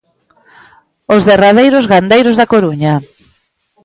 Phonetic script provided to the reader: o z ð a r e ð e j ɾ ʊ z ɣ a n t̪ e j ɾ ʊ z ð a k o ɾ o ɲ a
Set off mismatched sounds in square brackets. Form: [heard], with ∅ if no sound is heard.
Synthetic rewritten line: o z ð [e] r [a] ð e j ɾ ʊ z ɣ a n [d̪] e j ɾ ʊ z ð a k o ɾ [u] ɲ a